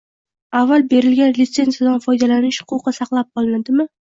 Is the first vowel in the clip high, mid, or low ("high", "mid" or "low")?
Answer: low